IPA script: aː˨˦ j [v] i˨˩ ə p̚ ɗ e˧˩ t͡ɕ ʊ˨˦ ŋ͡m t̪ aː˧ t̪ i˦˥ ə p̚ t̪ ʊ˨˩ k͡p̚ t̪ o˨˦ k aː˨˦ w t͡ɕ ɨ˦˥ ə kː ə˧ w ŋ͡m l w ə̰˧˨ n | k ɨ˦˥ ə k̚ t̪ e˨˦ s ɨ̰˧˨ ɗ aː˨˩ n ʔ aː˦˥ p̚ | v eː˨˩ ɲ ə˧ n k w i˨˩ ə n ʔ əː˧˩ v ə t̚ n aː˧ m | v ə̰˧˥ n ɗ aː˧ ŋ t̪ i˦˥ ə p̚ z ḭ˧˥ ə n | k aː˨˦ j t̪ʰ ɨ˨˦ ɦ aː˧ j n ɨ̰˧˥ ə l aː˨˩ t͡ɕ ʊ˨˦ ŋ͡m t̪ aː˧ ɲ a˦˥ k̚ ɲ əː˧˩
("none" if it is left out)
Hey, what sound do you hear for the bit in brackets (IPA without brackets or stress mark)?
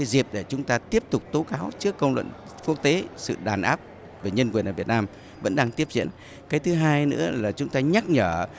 z